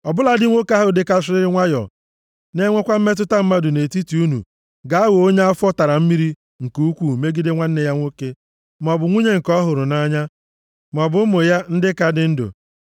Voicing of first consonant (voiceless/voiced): voiced